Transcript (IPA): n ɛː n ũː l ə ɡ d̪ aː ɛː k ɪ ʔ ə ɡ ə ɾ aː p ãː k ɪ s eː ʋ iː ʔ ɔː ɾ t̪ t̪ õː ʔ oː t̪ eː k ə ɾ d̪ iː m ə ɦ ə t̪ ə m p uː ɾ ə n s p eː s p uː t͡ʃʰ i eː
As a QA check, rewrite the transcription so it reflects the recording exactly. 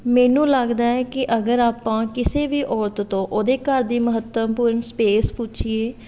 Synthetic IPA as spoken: m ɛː n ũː l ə ɡ d̪ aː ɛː k ɪ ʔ ə ɡ ə ɾ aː p ãː k ɪ s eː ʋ iː ʔ ɔː ɾ t̪ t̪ õː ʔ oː d̪ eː k ə ɾ d̪ iː m ə ɦ ə t̪ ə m p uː ɾ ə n s p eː s p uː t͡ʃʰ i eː